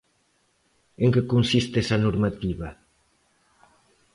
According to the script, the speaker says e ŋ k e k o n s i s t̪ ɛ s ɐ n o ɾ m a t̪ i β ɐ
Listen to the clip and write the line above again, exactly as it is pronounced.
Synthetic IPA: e ŋ k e k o n s i s t̪ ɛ s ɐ n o ɾ m a t̪ i β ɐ